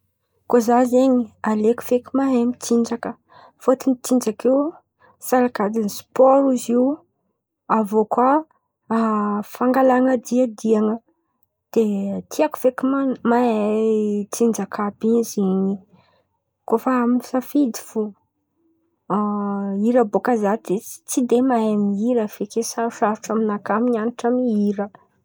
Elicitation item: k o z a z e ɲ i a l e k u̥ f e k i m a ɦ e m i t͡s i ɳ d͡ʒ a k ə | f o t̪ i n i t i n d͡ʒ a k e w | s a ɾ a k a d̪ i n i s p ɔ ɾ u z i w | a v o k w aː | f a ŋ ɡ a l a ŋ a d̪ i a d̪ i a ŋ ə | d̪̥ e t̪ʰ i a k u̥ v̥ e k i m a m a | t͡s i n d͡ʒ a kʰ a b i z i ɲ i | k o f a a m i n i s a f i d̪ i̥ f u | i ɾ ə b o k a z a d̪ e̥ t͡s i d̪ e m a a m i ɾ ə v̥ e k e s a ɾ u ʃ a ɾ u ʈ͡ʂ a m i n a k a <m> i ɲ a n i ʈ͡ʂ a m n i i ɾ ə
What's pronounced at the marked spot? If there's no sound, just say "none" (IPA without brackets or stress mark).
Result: m